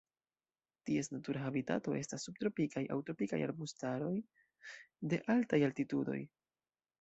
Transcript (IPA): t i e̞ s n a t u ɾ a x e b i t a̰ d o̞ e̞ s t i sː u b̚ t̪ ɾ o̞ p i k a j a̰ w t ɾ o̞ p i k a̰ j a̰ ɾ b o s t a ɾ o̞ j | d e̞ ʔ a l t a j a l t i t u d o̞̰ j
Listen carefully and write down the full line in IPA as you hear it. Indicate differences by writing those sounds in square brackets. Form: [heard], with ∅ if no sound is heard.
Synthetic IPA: t i e̞ s n a t u ɾ a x [a] b i t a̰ [t] o̞ e̞ s t [a] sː u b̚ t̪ ɾ o̞ p i k a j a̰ w t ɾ o̞ p i k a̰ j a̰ ɾ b [u] s t a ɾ o̞ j | d e̞ ʔ a l t a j a l t i t u d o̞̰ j